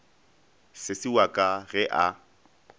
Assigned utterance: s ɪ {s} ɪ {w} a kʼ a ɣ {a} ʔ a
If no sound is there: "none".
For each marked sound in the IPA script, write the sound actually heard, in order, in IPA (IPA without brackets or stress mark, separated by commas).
s, w, ɛ